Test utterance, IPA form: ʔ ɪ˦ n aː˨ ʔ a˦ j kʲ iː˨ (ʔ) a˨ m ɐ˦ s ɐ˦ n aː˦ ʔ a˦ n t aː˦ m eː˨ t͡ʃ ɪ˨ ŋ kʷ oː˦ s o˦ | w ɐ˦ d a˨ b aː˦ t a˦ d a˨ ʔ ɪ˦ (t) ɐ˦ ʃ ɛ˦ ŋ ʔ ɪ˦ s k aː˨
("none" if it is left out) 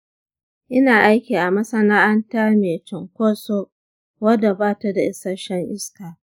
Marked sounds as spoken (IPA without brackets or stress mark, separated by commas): ʔ, s